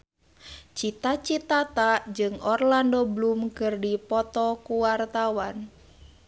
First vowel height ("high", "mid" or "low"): high